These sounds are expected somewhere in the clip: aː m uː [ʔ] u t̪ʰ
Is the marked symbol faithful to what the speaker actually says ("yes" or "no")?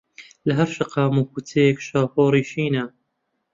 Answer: no